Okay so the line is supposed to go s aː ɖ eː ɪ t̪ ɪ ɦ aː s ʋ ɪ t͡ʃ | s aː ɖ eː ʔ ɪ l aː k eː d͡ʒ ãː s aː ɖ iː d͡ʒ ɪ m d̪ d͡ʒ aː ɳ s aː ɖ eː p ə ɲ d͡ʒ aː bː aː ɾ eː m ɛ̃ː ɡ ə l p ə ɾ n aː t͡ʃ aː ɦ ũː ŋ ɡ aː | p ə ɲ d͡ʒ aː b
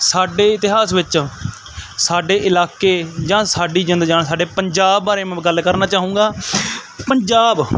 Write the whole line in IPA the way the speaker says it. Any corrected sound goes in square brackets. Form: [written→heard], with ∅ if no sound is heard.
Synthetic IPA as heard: s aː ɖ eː ɪ t̪ ɪ ɦ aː s ʋ ɪ t͡ʃ | s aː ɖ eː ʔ ɪ l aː k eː d͡ʒ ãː s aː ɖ iː d͡ʒ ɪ [m→n] d̪ d͡ʒ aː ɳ s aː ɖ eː p ə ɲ d͡ʒ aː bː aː ɾ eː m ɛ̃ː ɡ ə l [p→k] ə ɾ n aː t͡ʃ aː ɦ ũː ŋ ɡ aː | p ə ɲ d͡ʒ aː b